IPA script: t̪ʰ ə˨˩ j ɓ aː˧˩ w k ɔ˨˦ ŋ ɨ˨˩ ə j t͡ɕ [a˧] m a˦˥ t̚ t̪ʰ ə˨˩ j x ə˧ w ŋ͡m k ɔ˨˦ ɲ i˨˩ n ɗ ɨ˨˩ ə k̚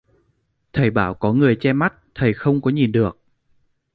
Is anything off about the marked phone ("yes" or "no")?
yes